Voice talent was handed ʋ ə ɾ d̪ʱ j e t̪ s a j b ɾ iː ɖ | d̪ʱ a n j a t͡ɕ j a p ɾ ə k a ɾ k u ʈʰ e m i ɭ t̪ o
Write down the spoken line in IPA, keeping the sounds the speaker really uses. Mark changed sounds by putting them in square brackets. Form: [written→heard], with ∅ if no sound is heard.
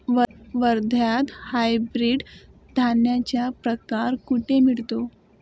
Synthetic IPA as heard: ʋ ə ɾ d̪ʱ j [e→a] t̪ [s→h] a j b ɾ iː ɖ | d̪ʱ a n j a t͡ɕ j a p ɾ ə k a ɾ k u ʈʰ e m i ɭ t̪ o